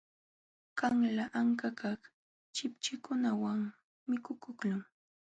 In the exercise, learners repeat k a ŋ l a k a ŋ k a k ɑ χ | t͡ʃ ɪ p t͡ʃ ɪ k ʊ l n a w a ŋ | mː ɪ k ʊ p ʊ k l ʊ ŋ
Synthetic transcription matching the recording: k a ŋ l a ʔ a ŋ k a k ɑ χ | t͡ʃ ɪ p t͡ʃ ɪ k ʊ n a w a ŋ | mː ɪ k ʊ k ʊ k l ʊ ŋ